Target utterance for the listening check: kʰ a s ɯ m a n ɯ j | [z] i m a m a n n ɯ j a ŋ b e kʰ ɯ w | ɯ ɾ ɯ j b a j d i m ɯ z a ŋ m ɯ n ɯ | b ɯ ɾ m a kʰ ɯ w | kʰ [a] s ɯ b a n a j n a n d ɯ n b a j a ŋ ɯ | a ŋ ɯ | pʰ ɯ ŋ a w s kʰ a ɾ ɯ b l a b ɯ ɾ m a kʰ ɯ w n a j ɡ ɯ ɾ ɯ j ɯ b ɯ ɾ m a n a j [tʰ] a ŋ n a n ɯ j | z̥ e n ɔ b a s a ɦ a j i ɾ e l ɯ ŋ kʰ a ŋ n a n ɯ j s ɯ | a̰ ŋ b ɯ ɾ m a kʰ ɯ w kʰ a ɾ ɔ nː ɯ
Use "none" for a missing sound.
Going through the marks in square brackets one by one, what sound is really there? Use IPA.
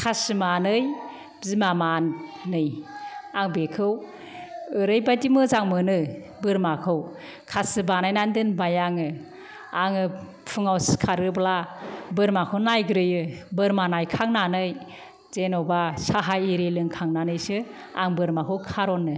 z, a, kʰ

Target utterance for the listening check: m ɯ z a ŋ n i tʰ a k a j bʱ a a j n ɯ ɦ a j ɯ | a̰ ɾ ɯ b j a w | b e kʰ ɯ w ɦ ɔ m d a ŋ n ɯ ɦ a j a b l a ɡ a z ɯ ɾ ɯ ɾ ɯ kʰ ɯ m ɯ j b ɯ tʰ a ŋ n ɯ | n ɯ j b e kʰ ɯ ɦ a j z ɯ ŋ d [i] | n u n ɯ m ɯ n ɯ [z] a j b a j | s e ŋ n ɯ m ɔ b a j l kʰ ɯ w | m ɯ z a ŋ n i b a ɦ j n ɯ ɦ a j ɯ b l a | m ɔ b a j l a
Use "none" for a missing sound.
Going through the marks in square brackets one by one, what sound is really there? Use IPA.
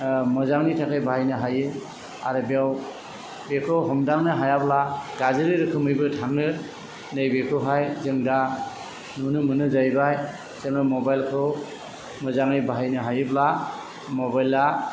a, z

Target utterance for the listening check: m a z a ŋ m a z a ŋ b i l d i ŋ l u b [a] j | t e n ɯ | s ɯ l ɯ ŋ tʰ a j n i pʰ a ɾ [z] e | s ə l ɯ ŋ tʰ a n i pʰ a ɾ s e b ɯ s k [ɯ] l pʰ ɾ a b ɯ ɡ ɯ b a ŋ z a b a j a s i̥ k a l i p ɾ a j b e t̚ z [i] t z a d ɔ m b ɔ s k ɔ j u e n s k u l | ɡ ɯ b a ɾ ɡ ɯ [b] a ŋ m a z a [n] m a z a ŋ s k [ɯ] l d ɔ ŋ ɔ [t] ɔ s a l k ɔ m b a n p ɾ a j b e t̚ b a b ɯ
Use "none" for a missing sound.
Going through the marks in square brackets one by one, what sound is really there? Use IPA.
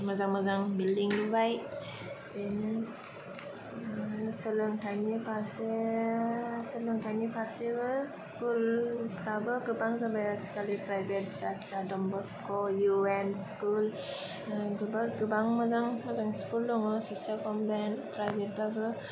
a, s, u, a, b, ŋ, u, s

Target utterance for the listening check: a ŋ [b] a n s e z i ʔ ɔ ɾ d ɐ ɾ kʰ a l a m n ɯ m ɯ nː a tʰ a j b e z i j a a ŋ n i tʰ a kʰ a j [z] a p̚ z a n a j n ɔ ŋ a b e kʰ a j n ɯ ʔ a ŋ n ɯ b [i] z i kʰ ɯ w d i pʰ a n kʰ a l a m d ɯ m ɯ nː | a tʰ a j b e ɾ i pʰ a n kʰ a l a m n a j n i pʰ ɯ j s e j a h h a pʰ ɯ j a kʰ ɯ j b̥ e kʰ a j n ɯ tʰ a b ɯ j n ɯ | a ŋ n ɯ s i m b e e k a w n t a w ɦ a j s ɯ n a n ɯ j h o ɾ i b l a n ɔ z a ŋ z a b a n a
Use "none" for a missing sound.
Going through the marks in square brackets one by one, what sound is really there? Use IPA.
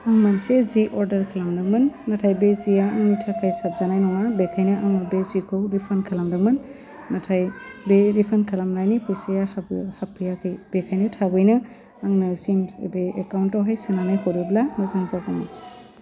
m, s, e

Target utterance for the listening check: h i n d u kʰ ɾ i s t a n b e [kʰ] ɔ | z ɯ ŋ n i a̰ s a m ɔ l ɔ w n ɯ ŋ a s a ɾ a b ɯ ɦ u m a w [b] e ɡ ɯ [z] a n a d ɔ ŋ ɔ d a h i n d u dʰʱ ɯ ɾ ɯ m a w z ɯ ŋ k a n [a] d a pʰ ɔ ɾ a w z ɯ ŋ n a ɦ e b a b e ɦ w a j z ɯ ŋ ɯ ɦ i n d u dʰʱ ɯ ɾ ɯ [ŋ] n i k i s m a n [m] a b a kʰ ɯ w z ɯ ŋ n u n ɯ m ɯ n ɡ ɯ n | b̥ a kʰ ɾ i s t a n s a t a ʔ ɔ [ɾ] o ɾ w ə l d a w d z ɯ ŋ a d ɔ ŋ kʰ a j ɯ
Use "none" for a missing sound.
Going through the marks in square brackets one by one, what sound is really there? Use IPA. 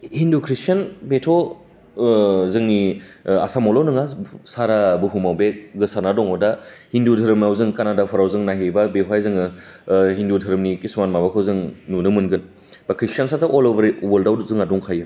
tʰ, b, s, a, m, m, l

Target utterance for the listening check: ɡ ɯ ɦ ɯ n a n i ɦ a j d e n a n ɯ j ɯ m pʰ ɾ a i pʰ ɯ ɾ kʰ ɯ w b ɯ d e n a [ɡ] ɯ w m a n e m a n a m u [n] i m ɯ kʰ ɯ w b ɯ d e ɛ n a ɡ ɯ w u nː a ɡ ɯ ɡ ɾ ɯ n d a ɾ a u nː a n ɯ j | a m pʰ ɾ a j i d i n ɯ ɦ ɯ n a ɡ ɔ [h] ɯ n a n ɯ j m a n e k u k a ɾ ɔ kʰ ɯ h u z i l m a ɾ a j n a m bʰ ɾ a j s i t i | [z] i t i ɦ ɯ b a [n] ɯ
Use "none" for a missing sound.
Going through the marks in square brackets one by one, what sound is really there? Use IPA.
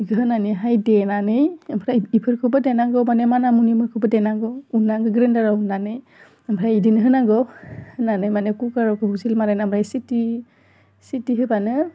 ɡ, n, h, s, n

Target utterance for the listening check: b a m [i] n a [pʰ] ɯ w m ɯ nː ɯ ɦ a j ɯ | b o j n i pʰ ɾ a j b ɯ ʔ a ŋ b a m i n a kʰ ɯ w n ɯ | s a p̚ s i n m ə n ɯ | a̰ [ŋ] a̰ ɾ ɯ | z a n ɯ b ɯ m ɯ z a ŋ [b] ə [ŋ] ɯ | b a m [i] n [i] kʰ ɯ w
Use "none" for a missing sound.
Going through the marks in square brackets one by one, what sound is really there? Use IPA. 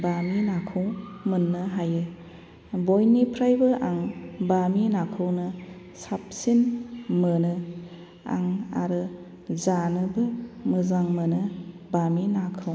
i, kʰ, ŋ, m, n, i, a

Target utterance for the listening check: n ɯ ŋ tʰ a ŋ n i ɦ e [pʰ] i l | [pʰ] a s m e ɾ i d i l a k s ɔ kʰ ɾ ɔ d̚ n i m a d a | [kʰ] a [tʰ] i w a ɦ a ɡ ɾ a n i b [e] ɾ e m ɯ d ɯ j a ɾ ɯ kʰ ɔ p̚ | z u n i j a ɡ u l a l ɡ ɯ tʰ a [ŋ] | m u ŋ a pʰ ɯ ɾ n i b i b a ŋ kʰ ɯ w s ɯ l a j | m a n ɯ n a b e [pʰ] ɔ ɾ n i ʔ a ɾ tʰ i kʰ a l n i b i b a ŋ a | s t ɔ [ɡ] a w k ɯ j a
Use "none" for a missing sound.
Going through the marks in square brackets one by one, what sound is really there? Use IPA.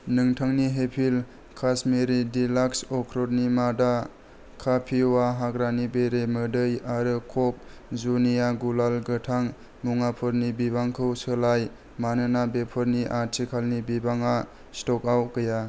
pʰ, kʰ, kʰ, pʰ, e, ŋ, pʰ, k

